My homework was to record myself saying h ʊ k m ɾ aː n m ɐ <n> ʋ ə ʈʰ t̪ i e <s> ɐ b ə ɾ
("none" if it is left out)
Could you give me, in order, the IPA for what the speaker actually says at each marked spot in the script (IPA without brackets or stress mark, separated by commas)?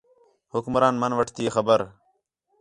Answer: n, x